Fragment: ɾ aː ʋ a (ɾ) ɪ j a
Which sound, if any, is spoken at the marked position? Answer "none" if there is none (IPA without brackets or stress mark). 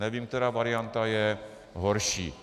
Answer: ɾ